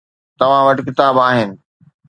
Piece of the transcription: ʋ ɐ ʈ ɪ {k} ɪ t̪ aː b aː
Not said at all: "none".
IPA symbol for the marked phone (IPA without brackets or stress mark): k